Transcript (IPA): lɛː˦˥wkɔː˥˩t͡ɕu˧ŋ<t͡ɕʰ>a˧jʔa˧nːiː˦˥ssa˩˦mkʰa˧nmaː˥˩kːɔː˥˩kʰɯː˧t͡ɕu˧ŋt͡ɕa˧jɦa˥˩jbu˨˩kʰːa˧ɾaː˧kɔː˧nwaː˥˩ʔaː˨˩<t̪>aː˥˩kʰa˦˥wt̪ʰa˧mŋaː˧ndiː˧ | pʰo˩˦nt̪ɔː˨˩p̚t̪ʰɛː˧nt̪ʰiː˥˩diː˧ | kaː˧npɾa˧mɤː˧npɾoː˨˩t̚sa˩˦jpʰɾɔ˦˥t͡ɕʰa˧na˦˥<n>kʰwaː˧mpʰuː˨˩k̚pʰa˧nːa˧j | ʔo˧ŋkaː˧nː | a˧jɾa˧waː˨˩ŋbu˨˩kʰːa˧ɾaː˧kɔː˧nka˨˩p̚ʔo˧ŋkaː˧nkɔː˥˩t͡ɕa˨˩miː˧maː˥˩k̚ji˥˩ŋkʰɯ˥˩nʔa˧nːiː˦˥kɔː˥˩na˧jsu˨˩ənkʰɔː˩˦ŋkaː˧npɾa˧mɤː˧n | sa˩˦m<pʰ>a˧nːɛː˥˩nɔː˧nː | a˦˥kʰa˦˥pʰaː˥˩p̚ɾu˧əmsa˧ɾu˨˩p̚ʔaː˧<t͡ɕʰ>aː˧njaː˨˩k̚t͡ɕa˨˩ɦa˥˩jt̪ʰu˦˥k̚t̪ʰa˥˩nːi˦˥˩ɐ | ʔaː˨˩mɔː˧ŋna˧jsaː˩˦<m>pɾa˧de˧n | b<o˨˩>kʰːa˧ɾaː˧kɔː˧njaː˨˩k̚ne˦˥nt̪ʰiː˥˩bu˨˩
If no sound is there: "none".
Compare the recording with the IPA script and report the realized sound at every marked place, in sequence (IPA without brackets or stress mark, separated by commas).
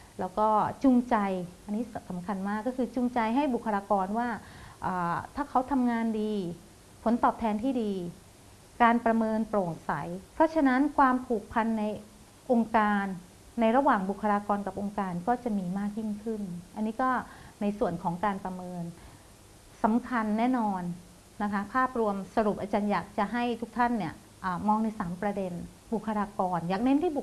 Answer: t͡ɕ, t̪ʰ, n, kʰ, t͡ɕ, m, u˨˩